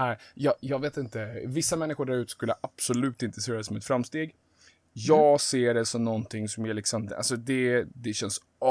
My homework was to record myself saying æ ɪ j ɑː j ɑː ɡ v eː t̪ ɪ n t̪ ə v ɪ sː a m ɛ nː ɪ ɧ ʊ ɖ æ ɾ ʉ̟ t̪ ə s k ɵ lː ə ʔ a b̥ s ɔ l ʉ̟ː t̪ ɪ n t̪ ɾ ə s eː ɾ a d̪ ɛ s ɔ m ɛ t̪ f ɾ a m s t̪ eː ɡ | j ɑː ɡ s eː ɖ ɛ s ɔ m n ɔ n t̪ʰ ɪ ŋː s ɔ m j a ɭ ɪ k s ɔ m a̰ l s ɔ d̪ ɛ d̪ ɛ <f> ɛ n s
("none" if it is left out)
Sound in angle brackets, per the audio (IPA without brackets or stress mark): ɕ